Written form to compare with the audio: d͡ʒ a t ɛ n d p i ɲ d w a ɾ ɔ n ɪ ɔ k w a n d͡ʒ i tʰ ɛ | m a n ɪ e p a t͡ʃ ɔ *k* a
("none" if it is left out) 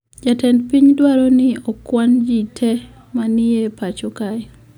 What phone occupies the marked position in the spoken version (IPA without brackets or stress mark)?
k